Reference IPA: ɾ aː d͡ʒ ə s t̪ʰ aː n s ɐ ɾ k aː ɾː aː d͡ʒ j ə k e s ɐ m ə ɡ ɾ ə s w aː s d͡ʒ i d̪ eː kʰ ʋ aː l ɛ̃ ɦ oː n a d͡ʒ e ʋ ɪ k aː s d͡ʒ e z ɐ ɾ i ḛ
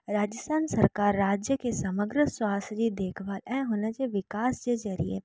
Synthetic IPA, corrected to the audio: ɾ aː d͡ʒ ə s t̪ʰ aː n s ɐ ɾ k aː ɾː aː d͡ʒ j ə k e s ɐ m ə ɡ ɾ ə s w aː s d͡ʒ i d̪ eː kʰ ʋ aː l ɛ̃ ɦ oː n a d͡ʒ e ʋ ɪ k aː s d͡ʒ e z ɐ ɾ i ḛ